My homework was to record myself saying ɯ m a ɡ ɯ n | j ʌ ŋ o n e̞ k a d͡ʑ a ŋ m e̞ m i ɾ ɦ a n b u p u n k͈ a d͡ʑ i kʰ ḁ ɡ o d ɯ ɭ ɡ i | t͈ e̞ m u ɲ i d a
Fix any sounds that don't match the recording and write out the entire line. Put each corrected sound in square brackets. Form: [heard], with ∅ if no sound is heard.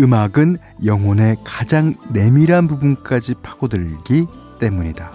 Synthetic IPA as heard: ɯ m a ɡ ɯ n | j ʌ ŋ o n e̞ k a d͡ʑ a ŋ [n] e̞ m i ɾ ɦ a n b u [b] u n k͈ a d͡ʑ i [pʰ] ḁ ɡ o d ɯ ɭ ɡ i | t͈ e̞ m u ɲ i d a